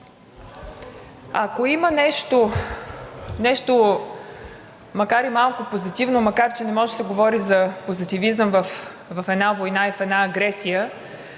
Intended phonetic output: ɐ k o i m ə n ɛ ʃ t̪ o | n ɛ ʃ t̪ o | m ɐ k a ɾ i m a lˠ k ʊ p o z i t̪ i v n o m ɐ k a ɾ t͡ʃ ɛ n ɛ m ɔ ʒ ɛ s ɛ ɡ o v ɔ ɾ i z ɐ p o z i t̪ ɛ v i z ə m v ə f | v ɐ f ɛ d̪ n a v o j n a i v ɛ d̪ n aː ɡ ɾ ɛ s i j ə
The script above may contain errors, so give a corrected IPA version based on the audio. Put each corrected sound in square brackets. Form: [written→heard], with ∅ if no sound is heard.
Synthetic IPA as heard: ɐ k o i m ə n ɛ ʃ t̪ o | n ɛ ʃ t̪ o | m ɐ k a ɾ i m a lˠ k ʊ p o z i t̪ i v n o m ɐ k a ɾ t͡ʃ ɛ n ɛ m ɔ ʒ ɛ s ɛ ɡ o v ɔ ɾ i z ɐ p o z i t̪ [ɛ→i] v i z ə m v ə f | v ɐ f ɛ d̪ n a v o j n a i [v→f] ɛ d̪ n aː ɡ ɾ ɛ s i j ə